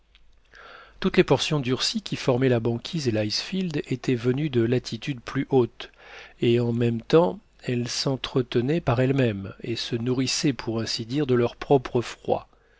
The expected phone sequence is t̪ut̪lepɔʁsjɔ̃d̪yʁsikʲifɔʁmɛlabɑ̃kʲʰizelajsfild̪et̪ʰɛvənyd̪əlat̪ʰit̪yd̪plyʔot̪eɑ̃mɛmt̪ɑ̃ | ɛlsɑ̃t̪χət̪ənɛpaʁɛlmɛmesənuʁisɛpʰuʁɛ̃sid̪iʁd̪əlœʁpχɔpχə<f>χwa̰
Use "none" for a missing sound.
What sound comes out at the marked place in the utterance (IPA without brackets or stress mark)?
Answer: f